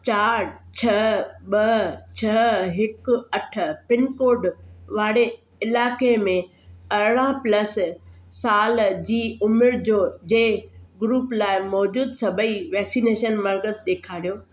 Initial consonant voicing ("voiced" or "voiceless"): voiceless